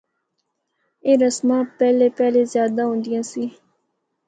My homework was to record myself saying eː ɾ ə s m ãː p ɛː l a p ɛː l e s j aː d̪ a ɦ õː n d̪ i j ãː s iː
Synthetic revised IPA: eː ɾ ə s m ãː p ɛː l e p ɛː l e z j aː d̪ a ɦ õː n d̪ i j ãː s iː